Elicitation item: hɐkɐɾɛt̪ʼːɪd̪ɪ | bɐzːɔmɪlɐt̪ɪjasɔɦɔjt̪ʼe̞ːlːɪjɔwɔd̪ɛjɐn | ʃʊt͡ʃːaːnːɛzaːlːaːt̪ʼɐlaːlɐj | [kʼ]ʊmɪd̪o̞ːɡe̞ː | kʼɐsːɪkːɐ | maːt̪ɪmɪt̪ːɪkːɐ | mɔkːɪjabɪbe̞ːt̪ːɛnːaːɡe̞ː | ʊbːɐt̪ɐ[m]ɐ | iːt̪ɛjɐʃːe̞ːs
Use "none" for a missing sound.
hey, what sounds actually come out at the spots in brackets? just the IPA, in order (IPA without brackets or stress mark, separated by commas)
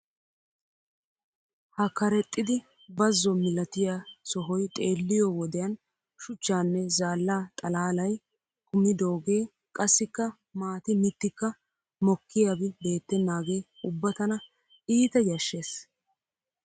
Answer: k, n